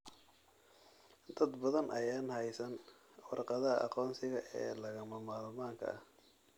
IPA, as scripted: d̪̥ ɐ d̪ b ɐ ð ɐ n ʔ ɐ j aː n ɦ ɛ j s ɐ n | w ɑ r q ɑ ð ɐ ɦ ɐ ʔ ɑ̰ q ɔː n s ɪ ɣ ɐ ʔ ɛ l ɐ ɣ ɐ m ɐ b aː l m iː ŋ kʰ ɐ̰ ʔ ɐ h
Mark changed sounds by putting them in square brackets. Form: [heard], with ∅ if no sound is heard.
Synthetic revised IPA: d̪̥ ɐ d̪ b ɐ ð ɐ n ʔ ɐ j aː n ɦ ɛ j s ɐ n | w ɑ r q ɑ ð ɐ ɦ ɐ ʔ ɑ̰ q ɔː n s ɪ ɣ ɐ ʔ [ɛː] l ɐ ɣ ɐ m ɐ [m] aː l m [aː] ŋ kʰ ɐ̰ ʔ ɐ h